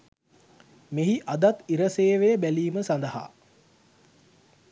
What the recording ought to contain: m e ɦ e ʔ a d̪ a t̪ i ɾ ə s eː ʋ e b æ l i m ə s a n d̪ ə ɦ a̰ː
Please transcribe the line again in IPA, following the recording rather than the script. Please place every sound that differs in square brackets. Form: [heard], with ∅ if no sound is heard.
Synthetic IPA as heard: m e ɦ [i] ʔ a d̪ a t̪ i ɾ ə s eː ʋ e b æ l [iː] m ə s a n d̪ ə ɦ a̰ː